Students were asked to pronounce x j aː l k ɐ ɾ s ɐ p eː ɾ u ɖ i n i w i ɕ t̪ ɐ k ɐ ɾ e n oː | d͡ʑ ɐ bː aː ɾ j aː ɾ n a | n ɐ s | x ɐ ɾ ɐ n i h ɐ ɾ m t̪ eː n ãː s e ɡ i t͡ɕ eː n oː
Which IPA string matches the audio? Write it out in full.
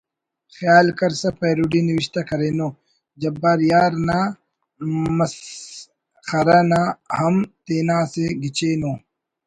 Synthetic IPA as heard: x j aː l k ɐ ɾ s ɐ p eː ɾ u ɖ i n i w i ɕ t̪ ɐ k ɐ ɾ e n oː | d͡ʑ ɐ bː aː ɾ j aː ɾ n a | m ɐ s | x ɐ ɾ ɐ n a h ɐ m t̪ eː n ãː s e ɡ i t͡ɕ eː n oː